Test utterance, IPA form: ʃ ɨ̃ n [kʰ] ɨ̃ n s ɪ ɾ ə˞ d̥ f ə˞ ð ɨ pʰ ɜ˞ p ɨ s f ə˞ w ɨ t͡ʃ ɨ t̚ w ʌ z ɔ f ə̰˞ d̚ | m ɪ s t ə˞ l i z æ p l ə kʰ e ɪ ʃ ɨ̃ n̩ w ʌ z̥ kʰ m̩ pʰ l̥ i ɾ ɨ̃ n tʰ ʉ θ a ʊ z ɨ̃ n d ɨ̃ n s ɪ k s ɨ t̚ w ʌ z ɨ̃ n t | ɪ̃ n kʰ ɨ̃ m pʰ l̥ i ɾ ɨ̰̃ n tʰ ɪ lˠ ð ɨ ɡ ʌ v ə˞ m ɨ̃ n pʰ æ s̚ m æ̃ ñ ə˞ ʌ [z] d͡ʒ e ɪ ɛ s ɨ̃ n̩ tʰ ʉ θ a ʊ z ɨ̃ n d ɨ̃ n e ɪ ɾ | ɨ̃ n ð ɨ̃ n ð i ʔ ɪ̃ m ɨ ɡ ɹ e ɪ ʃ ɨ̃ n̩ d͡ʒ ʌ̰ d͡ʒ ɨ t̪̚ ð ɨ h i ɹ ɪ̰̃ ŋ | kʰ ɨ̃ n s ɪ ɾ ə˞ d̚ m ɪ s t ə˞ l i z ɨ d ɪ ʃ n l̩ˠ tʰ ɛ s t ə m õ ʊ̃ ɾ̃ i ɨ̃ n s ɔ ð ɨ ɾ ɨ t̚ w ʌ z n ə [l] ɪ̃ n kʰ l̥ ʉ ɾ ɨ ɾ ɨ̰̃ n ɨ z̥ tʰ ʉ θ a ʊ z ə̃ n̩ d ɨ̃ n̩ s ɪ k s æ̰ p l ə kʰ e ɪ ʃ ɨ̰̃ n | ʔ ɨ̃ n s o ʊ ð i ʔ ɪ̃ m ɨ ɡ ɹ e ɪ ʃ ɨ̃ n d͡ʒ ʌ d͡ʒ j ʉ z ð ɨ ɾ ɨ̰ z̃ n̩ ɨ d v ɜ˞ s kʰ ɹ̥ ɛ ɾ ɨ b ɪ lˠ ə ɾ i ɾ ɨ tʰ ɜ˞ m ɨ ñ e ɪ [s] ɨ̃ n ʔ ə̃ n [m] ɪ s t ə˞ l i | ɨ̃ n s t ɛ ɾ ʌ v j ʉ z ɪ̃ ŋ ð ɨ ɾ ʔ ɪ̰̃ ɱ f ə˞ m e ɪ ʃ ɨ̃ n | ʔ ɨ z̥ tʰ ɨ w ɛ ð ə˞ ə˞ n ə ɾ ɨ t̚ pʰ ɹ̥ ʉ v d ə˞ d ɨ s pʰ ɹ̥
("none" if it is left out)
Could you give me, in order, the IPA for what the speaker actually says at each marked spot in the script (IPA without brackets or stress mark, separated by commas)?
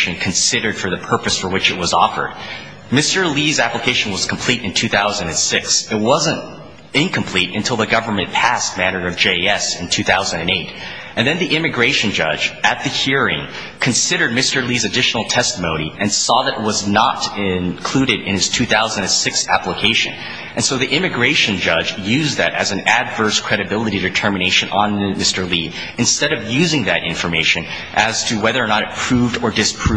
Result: kʰ, v, ɾ, ʃ, m